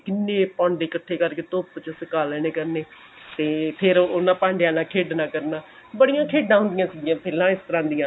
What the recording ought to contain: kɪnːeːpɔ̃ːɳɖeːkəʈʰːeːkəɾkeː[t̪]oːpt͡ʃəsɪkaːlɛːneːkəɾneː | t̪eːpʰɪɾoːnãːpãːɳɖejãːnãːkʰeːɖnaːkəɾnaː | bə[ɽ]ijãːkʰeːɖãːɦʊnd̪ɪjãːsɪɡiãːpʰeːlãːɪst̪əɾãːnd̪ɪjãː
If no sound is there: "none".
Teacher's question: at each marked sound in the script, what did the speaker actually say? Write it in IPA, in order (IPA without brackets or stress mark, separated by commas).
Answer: t̪, ɽ